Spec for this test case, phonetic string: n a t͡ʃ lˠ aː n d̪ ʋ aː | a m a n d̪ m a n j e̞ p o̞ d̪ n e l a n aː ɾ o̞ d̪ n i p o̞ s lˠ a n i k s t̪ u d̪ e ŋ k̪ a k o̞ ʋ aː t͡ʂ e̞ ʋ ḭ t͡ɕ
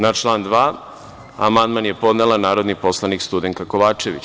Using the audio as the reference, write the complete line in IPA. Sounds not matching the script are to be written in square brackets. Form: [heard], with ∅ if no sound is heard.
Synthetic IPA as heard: n a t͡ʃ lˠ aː n d̪ ʋ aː | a m a n d̪ m a n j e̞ p o̞ d̪ n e l a n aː ɾ o̞ d̪ n i p o̞ s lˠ a n i k s t̪ u d̪ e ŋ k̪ a k o̞ ʋ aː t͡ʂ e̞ ʋ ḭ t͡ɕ